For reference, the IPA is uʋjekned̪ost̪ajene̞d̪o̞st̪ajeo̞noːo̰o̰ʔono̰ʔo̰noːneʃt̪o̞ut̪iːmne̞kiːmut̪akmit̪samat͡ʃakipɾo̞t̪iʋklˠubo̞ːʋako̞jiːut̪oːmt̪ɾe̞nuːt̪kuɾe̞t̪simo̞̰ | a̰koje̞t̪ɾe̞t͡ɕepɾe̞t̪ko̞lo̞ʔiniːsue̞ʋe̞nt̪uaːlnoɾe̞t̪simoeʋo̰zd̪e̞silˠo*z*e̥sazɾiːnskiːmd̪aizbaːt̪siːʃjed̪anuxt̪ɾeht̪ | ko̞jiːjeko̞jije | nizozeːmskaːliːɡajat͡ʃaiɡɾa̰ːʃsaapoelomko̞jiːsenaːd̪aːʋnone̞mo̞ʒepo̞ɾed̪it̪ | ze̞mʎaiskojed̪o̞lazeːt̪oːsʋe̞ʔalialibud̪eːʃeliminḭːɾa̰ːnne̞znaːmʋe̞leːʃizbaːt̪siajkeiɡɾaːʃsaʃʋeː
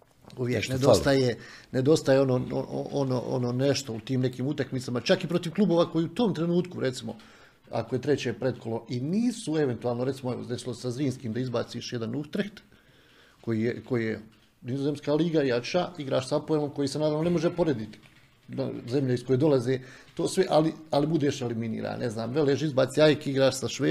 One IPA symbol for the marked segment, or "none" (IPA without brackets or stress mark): s